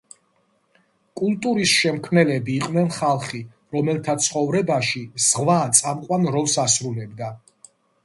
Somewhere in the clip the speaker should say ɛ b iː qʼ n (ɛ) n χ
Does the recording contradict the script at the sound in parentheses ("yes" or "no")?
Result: no